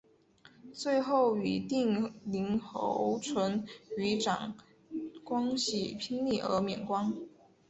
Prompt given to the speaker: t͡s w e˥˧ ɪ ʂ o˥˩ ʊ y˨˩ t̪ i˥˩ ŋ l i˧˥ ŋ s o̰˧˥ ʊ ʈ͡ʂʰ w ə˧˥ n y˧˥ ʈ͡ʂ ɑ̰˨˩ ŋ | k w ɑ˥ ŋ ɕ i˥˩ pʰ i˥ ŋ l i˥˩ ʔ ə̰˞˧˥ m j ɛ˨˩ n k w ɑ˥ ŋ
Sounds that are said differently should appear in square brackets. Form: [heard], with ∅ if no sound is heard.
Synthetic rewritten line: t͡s w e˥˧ ɪ [x] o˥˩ ʊ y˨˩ t̪ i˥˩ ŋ l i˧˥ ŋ [x] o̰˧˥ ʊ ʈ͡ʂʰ w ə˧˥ n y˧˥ ʈ͡ʂ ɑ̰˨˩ ŋ | k w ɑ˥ ŋ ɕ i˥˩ pʰ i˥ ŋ l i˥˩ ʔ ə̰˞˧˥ m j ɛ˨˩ n k w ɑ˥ ŋ